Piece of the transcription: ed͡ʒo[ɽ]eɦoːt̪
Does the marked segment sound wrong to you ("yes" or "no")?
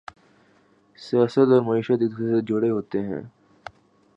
no